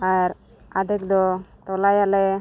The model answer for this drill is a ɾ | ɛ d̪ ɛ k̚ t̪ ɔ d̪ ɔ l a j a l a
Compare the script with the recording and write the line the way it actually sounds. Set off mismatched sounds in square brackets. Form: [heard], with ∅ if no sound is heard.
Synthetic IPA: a ɾ | [a] d̪ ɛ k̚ [d̪] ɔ [t̪] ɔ l a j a l [ɛ]

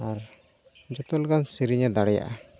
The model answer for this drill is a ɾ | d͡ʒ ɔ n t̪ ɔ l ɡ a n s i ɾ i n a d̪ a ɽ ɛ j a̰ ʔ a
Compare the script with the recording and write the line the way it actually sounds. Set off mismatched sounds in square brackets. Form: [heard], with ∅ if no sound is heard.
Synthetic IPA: a ɾ | d͡ʒ ɔ [∅] t̪ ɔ l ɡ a n s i ɾ i [ɲ] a d̪ a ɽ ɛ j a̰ ʔ a

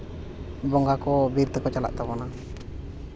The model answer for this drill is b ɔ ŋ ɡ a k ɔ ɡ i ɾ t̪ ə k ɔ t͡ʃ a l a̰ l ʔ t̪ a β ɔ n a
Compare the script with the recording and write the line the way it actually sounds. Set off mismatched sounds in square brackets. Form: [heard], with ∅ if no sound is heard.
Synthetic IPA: b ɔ ŋ ɡ a k ɔ [b] i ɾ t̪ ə k ɔ t͡ʃ a l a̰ [∅] ʔ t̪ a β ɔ n a

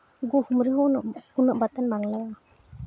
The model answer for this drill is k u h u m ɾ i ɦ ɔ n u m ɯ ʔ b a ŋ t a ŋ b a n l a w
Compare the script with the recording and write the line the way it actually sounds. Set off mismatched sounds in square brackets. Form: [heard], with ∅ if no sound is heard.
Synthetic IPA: [ɡ] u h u m ɾ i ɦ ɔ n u [n] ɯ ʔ b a [∅] t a [n] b a [ŋ] l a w

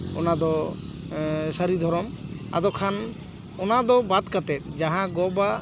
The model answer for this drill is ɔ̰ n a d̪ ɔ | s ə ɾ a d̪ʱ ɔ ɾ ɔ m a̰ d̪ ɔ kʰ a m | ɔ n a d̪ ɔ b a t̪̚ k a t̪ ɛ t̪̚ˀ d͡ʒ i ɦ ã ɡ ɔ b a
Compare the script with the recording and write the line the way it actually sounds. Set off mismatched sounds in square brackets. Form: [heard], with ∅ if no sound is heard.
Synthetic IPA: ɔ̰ n a d̪ ɔ | s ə ɾ [i] d̪ʱ ɔ ɾ ɔ m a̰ d̪ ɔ kʰ a [n] | ɔ n a d̪ ɔ b a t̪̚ k a t̪ ɛ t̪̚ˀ d͡ʒ [a] ɦ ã ɡ ɔ b a

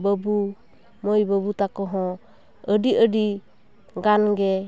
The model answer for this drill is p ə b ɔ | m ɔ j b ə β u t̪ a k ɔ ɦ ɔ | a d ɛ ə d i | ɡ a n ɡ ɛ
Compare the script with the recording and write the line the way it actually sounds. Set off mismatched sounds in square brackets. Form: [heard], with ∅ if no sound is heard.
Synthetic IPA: [b] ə b [u] | m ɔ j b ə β u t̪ a k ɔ ɦ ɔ | [ə] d [i] ə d i | ɡ a n ɡ ɛ

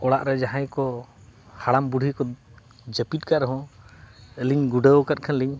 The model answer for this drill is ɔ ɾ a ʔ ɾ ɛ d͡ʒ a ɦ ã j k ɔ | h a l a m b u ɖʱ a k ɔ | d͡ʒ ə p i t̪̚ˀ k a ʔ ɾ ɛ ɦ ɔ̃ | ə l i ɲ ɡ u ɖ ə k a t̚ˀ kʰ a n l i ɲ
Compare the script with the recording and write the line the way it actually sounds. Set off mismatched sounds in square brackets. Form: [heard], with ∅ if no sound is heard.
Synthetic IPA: ɔ [ɽ] a ʔ ɾ ɛ d͡ʒ a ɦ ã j k ɔ | h a [ɽ] a m b u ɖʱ [i] k ɔ | d͡ʒ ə p i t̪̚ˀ k a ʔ ɾ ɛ ɦ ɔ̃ | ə l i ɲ ɡ u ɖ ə k a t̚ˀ kʰ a n l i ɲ

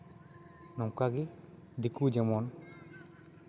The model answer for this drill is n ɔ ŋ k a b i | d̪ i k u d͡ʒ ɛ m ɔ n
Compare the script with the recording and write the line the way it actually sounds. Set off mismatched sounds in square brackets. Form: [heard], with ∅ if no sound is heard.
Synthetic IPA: n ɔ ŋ k a [ɡ] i | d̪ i k u d͡ʒ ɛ m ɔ n

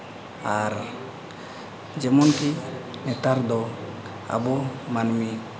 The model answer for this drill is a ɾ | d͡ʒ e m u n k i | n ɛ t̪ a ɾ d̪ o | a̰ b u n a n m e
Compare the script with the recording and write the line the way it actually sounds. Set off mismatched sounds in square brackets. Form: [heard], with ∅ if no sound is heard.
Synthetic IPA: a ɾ | d͡ʒ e m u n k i | n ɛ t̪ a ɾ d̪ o | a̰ b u [m] a n m [i]

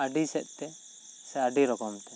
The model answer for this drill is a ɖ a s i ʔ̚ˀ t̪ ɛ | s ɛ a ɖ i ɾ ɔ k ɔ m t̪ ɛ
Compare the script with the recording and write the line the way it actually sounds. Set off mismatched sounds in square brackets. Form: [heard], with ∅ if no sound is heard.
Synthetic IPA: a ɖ [i] s [ɛ] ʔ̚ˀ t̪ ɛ | s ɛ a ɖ i ɾ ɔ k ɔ m t̪ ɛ

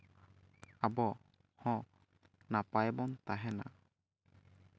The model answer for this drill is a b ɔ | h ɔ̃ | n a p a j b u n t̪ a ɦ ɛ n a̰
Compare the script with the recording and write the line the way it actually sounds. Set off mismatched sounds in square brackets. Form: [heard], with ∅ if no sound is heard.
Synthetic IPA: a b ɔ | h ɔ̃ | n a p a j b [ɔ] n t̪ a ɦ ɛ n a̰

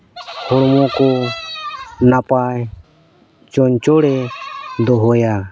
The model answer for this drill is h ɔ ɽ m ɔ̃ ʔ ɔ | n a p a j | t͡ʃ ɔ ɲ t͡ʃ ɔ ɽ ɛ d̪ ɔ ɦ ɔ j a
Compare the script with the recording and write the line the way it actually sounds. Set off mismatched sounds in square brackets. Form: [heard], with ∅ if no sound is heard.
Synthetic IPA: h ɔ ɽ m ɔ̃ [k] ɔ | n a p a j | t͡ʃ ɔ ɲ t͡ʃ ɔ ɽ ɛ d̪ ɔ ɦ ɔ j a

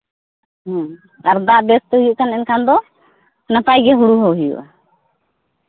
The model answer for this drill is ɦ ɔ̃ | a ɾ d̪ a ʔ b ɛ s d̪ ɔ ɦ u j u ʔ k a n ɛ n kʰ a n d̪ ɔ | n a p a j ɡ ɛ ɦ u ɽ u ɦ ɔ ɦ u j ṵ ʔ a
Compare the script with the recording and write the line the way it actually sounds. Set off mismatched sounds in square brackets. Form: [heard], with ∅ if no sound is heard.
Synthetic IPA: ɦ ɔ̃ | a ɾ d̪ a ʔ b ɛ s [t̪] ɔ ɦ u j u ʔ k a n ɛ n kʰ a n d̪ ɔ | n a p a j ɡ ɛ ɦ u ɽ u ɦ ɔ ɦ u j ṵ ʔ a

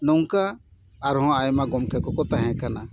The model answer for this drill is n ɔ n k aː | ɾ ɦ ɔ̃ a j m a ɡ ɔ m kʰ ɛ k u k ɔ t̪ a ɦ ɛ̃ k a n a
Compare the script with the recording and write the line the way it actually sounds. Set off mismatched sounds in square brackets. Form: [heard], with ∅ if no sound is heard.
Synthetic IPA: n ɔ [ŋ] k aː | ɾ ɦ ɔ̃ a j m a ɡ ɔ m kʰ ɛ k [ɔ] k ɔ t̪ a ɦ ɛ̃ k a n a

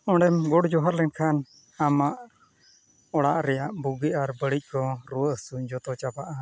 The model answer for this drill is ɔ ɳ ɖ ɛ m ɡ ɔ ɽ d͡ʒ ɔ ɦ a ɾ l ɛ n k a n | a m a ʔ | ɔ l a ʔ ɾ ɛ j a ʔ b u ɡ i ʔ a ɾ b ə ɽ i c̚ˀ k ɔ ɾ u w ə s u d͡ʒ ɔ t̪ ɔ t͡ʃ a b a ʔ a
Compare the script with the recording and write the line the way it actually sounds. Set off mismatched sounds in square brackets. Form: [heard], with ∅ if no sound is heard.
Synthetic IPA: ɔ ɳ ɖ ɛ m ɡ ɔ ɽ d͡ʒ ɔ ɦ a ɾ l ɛ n [kʰ] a n | a m a ʔ | ɔ [ɽ] a ʔ ɾ ɛ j a ʔ b u ɡ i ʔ a ɾ b ə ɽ i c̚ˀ k ɔ ɾ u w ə s u d͡ʒ ɔ t̪ ɔ t͡ʃ a b a ʔ a

